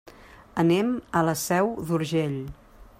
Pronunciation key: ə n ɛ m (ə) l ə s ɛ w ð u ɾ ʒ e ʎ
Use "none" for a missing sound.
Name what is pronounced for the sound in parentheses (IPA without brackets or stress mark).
ə